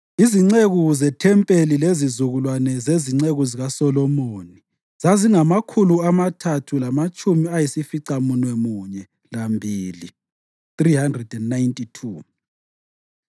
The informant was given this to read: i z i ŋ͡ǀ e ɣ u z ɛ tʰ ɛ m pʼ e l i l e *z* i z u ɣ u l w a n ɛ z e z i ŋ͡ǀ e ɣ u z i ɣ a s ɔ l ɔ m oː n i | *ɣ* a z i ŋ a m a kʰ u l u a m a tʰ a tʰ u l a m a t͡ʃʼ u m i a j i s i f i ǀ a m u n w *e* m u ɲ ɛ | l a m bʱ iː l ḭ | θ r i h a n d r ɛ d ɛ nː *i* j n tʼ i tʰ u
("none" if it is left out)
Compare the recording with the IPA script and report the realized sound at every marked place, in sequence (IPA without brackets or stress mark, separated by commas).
z, z, ɛ, a